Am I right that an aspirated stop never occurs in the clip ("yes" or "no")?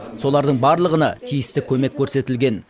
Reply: no